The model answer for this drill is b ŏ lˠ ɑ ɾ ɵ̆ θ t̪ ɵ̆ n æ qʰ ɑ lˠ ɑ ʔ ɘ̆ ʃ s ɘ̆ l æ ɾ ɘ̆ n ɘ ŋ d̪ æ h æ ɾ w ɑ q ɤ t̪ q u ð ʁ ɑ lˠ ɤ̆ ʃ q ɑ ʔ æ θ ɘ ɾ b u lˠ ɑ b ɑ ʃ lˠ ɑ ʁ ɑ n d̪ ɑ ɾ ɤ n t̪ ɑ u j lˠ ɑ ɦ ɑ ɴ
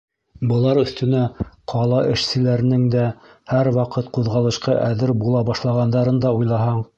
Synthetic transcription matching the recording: b ɤ̆ lˠ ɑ ɾ ɵ̆ θ t̪ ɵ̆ n æ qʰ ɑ lˠ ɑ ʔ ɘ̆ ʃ s ɘ̆ l æ ɾ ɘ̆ n ɘ ŋ d̪ æ h æ ɾ w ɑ q ɤ t̪ q u ð ʁ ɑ lˠ ɤ̆ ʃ q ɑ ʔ æ ð ɘ ɾ b u lˠ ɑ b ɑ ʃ lˠ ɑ ʁ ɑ n d̪ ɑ ɾ ɤ n d̪ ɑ u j lˠ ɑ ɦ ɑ ɴ

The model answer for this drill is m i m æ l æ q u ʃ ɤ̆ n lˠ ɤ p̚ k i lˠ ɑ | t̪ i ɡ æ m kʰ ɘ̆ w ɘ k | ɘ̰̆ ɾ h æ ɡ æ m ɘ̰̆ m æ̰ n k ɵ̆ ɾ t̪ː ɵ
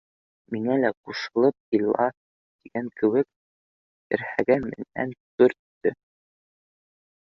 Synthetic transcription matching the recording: m i ŋ æ l æ q u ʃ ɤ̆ lˠ ɤ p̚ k i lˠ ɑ | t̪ i ɡ æ ŋ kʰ ɘ̆ w ɘ k | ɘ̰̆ ɾ h æ ɡ æ m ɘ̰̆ n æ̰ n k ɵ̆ ɾ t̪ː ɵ

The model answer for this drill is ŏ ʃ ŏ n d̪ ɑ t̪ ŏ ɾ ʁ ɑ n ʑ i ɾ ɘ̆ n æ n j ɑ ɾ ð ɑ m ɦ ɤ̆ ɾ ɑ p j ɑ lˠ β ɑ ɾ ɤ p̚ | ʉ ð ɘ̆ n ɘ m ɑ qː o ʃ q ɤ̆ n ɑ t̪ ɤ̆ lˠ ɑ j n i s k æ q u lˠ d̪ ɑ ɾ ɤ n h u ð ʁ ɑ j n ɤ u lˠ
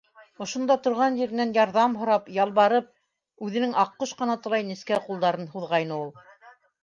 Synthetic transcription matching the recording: ŏ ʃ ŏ n d̪ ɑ t̪ ŏ ɾ ʁ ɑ n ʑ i ɾ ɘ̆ n æ n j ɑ ɾ ð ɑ m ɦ ŏ ɾ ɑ p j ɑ lˠ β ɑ ɾ ɤ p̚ | ʉ ð ɘ̆ n ɘ ŋ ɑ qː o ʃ q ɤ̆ n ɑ t̪ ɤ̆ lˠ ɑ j n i s k æ q u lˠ d̪ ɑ ɾ ɤ n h u ð ʁ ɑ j n ɤ u lˠ

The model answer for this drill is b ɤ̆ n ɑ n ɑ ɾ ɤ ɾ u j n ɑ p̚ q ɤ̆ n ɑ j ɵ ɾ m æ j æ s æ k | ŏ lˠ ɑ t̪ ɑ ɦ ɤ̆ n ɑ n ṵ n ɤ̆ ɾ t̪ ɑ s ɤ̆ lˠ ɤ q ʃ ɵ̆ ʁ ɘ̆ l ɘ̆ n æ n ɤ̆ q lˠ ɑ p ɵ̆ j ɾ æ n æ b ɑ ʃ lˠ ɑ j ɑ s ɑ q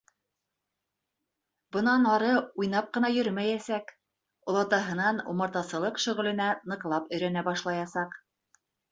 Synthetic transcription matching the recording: b ɤ̆ n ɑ n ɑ ɾ ɤ u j n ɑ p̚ q ɤ̆ n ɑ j ɵ ɾ m æ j æ s æ k | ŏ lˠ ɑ t̪ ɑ ɦ ɤ̆ n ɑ n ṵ m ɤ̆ ɾ t̪ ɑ s ɤ̆ lˠ ɤ q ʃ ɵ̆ ʁ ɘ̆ l ɘ̆ n æ n ɤ̆ q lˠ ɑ p ɵ̆ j ɾ æ n æ b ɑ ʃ lˠ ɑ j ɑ s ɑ q

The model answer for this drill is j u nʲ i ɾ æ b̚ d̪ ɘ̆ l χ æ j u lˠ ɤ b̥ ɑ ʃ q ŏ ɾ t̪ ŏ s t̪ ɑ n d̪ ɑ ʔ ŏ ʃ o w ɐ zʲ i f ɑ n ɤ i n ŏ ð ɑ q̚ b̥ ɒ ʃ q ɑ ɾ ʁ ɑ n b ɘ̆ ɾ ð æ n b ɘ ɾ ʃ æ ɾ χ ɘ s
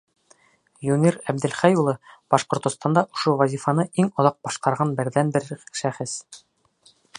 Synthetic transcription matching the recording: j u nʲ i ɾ æ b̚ d̪ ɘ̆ l χ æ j u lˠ ɤ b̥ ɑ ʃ q ŏ ɾ t̪ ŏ s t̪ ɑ n d̪ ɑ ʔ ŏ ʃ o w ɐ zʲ i f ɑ n ɤ i ŋ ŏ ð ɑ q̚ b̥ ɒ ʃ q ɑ ɾ ʁ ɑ n b ɘ̆ ɾ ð æ n b ɘ ɾ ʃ æ χ ɘ s

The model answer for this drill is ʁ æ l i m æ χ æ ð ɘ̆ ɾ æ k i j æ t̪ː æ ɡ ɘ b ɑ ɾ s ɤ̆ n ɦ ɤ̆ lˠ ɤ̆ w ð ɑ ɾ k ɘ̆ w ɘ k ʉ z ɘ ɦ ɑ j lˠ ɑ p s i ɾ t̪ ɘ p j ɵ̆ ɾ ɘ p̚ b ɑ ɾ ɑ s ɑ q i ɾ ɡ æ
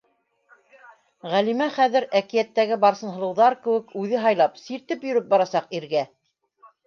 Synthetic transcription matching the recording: ʁ æ l i m æ χ æ ð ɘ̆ ɾ æ k i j æ t̪ː æ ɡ ɘ b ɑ ɾ s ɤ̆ n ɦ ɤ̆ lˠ ɤ̆ w ð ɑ ɾ k ɘ̆ w ɘ k ʉ ð ɘ ɦ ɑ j lˠ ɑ p s i ɾ t̪ ɘ p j ɵ̆ ɾ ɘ p̚ b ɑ ɾ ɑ s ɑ q i ɾ ɡ æ

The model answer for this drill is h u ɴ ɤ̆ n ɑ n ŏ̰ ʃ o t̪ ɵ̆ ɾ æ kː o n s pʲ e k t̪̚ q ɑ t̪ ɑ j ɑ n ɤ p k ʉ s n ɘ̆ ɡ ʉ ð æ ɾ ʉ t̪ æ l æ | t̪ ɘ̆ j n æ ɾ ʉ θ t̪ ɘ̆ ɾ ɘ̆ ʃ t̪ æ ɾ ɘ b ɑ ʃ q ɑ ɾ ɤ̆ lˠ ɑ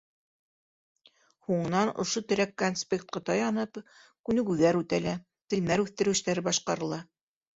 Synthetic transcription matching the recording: h u ɴ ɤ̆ n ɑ n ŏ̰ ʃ o t̪ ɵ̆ ɾ æ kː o n s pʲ e k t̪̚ q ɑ t̪ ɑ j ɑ n ɤ p k ʉ n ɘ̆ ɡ ʉ ð æ ɾ ʉ t̪ æ l æ | t̪ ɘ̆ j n æ ɾ ʉ θ t̪ ɘ̆ ɾ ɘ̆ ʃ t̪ æ ɾ ɘ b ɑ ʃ q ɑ ɾ ɤ̆ lˠ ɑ

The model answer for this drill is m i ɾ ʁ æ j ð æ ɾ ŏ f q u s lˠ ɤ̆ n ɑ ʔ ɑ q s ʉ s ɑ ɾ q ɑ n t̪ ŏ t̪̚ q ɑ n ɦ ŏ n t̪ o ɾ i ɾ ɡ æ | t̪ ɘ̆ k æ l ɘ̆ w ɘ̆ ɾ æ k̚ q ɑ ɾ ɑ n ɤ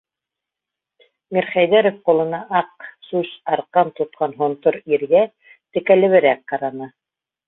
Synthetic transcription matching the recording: m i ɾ χ æ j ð æ ɾ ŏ f q u lˠ ɤ̆ n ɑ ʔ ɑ q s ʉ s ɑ ɾ q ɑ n t̪ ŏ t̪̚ q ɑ n ɦ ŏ n t̪ o ɾ i ɾ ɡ æ | t̪ ɘ̆ k æ l ɘ̆ β ɘ̆ ɾ æ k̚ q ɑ ɾ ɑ n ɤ

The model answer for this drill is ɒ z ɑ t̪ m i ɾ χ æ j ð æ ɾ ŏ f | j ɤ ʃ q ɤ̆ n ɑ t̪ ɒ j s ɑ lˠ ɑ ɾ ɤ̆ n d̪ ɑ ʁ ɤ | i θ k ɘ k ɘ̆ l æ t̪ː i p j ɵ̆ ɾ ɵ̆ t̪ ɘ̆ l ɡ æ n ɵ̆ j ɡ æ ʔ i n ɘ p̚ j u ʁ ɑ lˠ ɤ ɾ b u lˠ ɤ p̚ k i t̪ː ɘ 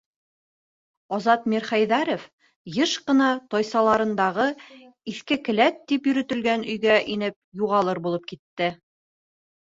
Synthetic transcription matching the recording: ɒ z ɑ t̪ m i ɾ χ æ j ð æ ɾ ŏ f | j ɤ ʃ q ɤ̆ n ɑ t̪ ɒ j s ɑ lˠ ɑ ɾ ɤ̆ n d̪ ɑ ʁ ɤ | i θ k ɘ k ɘ̆ l æ t̪ː i p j ɵ̆ ɾ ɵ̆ t̪ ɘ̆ l ɡ æ n ɵ̆ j ɡ æ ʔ i n ɘ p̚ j u ʁ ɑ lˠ ɤ ɾ b u lˠ ɤ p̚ k i t̪ː ɘ

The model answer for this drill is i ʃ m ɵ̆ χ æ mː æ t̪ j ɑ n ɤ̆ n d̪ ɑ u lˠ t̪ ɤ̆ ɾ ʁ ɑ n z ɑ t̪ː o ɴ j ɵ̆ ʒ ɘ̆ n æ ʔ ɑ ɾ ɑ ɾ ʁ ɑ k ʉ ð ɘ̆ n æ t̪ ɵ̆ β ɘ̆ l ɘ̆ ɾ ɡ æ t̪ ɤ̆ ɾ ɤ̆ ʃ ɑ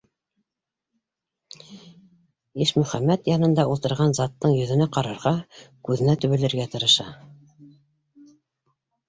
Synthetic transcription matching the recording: i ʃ m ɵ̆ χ æ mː æ t̪ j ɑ n ɤ̆ n d̪ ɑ u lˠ t̪ ɤ̆ ɾ ʁ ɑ n z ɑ t̪ː ɤ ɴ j ɵ̆ ð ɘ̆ n æ q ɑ ɾ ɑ ɾ ʁ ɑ k ʉ ð ɘ̆ n æ t̪ ɵ̆ β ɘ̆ l ɘ̆ ɾ ɡ æ t̪ ɤ̆ ɾ ɤ̆ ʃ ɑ

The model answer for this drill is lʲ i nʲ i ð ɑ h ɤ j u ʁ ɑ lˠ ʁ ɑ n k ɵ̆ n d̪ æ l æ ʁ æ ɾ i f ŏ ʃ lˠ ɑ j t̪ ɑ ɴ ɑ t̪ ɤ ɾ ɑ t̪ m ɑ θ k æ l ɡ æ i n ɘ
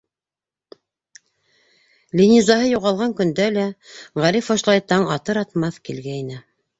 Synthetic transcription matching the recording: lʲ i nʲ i z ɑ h ɤ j u ʁ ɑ lˠ ʁ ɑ ŋ k ɵ̆ n d̪ æ l æ ʁ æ ɾ i f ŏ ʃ lˠ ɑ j t̪ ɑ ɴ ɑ t̪ ɤ ɾ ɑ t̪ m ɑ θ k i l ɡ æ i n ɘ

